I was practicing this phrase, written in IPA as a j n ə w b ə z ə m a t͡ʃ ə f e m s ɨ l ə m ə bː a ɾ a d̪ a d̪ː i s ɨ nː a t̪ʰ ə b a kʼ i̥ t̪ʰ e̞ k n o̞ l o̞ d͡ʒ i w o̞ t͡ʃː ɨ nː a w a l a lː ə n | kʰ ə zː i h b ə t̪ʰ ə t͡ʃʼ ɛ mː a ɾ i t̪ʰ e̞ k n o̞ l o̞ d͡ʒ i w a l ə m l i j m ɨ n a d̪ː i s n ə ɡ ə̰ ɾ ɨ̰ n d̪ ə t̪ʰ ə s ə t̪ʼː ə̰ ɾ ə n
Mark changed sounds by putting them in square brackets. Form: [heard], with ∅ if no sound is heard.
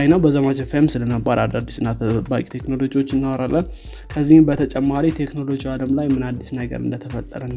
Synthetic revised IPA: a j n ə w b ə z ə m a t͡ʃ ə f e m s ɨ l ə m ə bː a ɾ a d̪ a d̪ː i s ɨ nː a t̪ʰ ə b a kʼ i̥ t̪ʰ e̞ k n o̞ l o̞ d͡ʒ i w o̞ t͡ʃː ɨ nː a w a [ɾ] a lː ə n | kʰ ə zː i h b ə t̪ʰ ə t͡ʃʼ ɛ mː a ɾ i t̪ʰ e̞ k n o̞ l o̞ d͡ʒ i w a l ə m l [a] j m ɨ n a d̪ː i s n ə ɡ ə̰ ɾ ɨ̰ n d̪ ə t̪ʰ ə [f] ə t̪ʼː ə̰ ɾ ə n